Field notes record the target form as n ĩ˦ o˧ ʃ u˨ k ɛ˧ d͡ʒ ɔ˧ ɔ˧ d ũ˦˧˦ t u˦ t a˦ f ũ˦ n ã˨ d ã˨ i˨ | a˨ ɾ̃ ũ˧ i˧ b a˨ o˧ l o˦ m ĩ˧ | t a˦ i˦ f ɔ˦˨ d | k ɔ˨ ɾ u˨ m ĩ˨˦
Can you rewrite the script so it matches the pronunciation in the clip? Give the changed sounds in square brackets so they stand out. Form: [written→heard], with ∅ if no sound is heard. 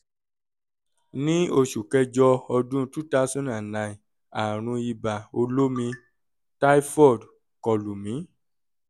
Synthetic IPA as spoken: n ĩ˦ o˧ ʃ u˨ k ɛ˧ d͡ʒ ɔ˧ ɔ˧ d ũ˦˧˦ t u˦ t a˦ [f→s] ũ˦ n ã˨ [d→n] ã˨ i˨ | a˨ ɾ̃ ũ˧ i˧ b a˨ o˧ l o˦ m ĩ˧ | t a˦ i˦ f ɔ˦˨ d | k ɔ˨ [ɾ→l] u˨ m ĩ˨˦